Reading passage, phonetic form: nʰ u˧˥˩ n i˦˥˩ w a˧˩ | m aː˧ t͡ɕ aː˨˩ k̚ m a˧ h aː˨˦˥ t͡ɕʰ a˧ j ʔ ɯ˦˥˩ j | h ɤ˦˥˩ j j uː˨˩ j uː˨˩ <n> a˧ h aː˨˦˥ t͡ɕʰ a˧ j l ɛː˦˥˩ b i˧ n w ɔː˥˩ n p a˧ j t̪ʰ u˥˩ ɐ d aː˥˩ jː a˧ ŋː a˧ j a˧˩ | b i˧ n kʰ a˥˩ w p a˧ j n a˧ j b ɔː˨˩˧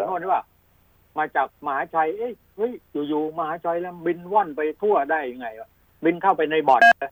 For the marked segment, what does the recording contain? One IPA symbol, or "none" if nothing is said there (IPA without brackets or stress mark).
m